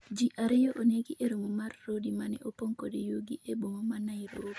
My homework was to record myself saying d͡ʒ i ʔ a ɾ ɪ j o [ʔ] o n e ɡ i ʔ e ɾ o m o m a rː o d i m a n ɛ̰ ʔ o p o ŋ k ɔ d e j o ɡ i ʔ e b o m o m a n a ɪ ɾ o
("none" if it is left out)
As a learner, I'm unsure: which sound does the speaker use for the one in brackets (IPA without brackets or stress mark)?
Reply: ʔ